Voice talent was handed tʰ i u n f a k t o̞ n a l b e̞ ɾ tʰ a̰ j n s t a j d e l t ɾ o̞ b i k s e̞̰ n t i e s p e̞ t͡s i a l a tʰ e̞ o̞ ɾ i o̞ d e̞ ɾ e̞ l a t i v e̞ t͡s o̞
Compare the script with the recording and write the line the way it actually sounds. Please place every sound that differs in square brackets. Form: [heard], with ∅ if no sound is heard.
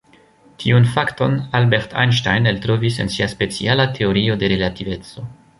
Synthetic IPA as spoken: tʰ i u n f a k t o̞ n a l b e̞ ɾ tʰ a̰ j n [ʃ] t a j [n] e l t ɾ o̞ [v] i [∅] s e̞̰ n [s] i [a] s p e̞ t͡s i a l a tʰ e̞ o̞ ɾ i o̞ d e̞ ɾ e̞ l a t i v e̞ t͡s o̞